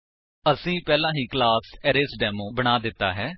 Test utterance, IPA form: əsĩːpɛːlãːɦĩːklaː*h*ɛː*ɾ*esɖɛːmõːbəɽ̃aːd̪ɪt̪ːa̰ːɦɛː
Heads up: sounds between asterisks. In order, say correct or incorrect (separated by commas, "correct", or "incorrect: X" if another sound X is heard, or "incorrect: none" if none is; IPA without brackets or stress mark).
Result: incorrect: s, correct